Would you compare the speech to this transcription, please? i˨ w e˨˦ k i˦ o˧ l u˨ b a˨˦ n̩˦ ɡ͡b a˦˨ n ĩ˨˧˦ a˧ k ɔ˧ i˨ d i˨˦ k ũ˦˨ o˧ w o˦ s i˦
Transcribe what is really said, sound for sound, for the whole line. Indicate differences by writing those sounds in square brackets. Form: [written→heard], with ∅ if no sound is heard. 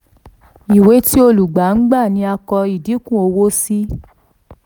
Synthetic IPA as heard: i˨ w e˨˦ [k→t] i˦ o˧ l u˨ [b→ɡ͡b] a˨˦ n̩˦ ɡ͡b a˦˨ n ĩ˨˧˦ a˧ k ɔ˧ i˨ d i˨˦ k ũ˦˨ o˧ w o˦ s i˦

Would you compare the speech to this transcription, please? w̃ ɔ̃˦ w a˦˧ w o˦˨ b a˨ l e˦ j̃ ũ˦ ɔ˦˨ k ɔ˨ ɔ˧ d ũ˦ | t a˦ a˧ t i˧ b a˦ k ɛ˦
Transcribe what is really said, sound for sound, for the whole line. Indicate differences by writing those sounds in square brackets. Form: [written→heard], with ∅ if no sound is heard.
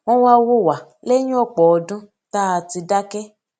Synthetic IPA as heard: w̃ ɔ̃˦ w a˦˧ w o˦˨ [b→w] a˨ l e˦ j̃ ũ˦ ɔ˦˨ [k→k͡p] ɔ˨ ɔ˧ d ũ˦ | t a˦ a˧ t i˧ [b→d] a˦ k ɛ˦

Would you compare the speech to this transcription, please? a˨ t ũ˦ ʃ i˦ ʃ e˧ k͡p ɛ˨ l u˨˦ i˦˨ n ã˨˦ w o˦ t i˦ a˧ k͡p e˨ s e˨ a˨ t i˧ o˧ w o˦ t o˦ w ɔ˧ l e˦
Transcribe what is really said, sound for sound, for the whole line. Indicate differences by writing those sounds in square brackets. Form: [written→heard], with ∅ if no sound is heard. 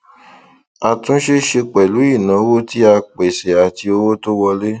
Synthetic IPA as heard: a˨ t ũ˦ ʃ [i˦→e˦] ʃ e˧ k͡p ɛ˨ l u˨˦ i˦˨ n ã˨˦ w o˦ t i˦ a˧ k͡p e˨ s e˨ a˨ t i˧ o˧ w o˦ t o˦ w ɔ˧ l e˦

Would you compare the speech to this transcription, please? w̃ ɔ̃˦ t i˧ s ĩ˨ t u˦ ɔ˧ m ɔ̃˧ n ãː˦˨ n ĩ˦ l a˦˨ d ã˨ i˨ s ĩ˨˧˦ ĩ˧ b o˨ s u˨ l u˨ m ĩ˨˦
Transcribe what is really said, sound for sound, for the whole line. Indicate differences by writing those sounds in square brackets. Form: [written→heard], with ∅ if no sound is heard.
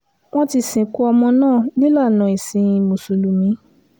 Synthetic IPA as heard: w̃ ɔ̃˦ t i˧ s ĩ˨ [t→k] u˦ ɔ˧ m ɔ̃˧ n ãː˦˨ n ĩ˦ l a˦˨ [d→n] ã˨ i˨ s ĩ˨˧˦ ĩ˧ [b→m] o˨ s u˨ l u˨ m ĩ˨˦

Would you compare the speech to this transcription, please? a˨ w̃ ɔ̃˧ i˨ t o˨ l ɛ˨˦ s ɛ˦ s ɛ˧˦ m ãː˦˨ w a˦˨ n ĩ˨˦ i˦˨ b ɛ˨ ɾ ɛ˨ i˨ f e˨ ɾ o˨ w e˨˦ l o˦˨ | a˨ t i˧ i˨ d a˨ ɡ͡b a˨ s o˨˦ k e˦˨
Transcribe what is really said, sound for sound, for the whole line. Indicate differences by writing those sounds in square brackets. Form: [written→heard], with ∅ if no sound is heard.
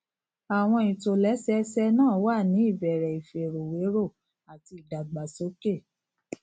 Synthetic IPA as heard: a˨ w̃ ɔ̃˧ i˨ t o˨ l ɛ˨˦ s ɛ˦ s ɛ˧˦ [m→n] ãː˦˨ w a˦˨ n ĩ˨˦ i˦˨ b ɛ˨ ɾ ɛ˨ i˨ f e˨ ɾ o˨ w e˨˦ [l→ɾ] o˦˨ | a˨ t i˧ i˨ d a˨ ɡ͡b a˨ s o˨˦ k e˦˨

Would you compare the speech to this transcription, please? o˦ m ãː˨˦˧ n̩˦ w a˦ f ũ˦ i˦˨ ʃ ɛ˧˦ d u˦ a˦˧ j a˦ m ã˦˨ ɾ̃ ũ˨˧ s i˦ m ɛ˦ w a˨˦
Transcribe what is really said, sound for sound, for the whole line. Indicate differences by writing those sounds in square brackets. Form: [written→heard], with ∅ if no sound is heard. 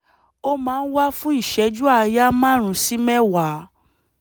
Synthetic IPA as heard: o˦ m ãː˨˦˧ n̩˦ w a˦ f ũ˦ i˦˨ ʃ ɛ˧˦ [d→d͡ʒ] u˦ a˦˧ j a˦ m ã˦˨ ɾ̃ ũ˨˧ s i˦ m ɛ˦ w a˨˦

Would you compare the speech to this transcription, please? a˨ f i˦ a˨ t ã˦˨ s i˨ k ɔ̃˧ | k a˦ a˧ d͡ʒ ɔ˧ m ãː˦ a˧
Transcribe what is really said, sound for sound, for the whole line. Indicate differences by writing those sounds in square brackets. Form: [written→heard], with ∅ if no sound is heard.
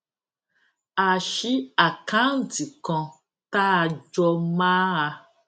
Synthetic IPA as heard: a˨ [f→ʃ] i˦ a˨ [t→k] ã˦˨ [s→t] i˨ k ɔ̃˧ | [k→t] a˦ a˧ d͡ʒ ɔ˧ m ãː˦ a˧

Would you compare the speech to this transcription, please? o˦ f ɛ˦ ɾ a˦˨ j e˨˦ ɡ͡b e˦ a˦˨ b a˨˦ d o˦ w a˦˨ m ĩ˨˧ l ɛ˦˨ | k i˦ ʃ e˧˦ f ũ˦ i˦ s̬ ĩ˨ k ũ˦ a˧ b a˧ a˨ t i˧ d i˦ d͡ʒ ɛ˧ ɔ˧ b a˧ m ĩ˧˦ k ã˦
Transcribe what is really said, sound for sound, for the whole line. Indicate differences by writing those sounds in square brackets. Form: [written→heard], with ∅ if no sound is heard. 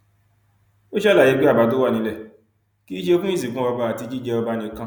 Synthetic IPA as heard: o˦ [f→ʃ] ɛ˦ [ɾ→l] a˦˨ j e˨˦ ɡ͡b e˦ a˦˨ b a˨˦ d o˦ w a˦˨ [m→n] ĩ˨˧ l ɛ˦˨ | k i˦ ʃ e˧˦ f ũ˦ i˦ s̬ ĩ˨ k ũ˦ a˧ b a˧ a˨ t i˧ [d→d͡ʒ] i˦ d͡ʒ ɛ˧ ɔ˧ b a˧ [m→n] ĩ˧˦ k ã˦

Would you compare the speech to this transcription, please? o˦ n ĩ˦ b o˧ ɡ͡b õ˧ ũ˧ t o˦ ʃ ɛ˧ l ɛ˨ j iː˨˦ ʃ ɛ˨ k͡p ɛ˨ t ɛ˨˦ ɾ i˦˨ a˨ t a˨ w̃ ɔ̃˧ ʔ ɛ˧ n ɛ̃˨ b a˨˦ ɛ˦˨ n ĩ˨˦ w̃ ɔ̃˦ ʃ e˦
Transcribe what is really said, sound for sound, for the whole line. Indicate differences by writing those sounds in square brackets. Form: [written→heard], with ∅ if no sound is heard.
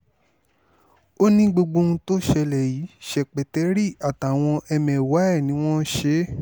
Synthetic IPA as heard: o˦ n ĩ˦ [b→ɡ͡b] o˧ ɡ͡b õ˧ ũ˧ t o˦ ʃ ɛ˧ l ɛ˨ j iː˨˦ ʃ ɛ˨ k͡p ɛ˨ t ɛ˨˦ ɾ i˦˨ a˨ t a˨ w̃ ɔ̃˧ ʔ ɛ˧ [n→m] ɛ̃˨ [b→w] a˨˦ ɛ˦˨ n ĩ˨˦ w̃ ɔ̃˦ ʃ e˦

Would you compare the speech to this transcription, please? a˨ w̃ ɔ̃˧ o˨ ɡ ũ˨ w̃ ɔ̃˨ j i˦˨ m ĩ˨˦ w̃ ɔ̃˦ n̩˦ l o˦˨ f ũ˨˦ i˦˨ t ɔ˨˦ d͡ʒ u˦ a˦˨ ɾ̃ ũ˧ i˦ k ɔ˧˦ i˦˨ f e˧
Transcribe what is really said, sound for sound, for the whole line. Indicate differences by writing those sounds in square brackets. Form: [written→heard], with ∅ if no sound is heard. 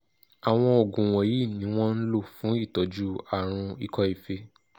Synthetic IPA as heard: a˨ w̃ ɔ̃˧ o˨ ɡ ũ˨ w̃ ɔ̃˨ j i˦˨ [m→n] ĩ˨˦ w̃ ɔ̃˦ n̩˦ l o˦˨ f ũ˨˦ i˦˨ t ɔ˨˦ d͡ʒ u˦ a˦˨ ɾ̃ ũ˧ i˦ k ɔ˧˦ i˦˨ f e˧

